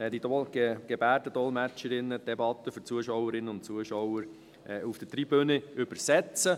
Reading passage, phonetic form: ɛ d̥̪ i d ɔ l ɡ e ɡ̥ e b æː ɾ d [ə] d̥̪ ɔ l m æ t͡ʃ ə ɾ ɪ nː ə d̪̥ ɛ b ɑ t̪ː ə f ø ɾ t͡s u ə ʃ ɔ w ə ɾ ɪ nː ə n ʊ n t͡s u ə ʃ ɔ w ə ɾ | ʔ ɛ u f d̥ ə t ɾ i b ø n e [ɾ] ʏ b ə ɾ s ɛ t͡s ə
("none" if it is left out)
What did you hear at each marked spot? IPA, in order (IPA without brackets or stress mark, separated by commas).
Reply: ə, none